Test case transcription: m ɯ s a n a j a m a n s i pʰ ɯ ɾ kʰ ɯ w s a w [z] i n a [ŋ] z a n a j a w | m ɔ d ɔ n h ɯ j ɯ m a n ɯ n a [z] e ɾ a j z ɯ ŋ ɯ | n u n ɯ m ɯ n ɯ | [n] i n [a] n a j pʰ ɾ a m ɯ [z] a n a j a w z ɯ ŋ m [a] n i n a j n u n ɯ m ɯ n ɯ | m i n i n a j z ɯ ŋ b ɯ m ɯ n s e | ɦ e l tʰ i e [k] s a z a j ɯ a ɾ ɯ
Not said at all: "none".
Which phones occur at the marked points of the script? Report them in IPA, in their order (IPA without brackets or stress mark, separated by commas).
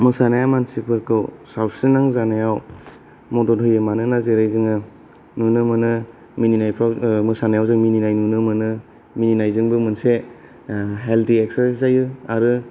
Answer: s, ŋ, z, m, i, s, i, k